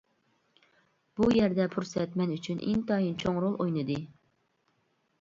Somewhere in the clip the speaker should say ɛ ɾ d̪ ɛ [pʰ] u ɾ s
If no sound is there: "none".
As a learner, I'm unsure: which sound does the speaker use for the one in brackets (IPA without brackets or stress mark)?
pʰ